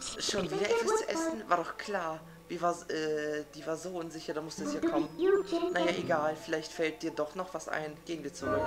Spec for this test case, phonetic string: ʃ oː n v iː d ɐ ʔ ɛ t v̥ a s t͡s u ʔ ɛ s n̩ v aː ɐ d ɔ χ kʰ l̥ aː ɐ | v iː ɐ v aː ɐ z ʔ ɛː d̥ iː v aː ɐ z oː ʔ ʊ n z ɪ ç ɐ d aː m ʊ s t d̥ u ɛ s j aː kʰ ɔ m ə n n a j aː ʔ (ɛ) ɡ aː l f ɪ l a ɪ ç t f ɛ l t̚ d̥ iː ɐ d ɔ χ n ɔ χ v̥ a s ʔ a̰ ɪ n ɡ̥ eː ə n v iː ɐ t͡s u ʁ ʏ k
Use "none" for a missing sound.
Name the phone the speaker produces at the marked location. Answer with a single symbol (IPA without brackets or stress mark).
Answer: e